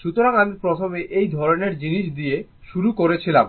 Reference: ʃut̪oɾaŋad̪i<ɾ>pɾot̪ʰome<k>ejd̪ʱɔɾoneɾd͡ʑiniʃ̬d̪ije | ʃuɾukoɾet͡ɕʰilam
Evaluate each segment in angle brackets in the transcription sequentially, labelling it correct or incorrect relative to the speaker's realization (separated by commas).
correct, incorrect